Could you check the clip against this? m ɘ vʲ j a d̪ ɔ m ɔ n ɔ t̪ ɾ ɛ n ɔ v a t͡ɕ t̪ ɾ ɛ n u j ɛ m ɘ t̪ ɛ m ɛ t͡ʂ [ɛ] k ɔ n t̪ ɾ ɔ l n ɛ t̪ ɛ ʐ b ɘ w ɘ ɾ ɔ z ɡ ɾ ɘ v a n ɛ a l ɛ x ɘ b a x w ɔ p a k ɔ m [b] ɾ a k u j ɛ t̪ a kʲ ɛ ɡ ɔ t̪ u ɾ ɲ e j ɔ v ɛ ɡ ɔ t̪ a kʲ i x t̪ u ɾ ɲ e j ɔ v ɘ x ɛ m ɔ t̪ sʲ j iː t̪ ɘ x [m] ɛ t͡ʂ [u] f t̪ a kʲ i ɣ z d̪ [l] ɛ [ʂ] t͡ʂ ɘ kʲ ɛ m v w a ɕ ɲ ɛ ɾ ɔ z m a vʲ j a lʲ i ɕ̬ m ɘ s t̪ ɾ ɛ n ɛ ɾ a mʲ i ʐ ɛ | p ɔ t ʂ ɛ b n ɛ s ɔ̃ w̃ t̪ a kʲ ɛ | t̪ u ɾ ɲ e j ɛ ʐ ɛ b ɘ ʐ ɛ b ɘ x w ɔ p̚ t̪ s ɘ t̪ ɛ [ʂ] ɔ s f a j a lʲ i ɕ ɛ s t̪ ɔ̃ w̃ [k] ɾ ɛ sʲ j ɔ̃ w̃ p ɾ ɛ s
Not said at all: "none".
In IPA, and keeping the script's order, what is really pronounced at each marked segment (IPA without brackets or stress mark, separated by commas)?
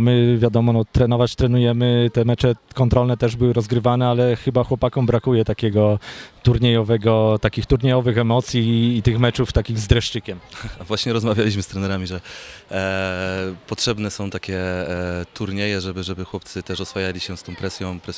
ɛ, b, m, u, ɾ, ʂ, ʂ, p